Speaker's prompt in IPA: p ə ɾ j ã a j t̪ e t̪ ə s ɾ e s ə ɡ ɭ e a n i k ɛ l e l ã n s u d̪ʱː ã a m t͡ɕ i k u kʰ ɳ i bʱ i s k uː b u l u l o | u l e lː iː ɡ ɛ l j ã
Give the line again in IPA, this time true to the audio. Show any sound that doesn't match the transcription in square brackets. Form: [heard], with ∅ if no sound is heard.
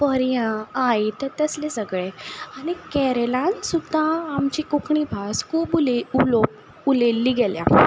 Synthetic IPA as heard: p ə ɾ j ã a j t̪ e t̪ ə s [l] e s ə ɡ ɭ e a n i k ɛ [ɾ] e l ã n s u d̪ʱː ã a m t͡ɕ i k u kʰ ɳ i bʱ [a] s k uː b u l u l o | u l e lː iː ɡ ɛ l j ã